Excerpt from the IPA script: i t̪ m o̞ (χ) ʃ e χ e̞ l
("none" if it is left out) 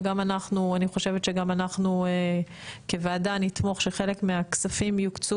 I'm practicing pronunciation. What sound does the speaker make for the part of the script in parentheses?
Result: χ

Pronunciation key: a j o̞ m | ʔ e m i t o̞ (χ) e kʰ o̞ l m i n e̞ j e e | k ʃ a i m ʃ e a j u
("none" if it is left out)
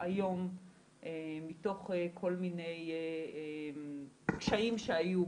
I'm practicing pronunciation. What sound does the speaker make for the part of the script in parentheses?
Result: χ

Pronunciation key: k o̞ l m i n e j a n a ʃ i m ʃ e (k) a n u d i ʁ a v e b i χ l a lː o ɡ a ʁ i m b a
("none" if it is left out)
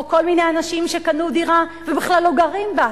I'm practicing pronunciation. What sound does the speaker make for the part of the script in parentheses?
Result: k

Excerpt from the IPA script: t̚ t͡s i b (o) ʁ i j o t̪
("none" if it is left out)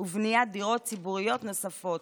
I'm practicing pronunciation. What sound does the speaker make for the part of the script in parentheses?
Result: u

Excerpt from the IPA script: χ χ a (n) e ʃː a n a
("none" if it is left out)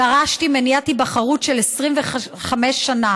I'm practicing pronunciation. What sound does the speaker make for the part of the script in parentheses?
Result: m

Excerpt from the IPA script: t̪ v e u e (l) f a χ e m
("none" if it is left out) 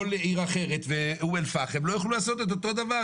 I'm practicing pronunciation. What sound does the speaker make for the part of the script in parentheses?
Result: l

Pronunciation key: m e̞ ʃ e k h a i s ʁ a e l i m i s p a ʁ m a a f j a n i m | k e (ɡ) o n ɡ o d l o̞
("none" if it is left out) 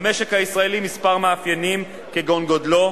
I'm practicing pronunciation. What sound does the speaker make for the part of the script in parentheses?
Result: ɡ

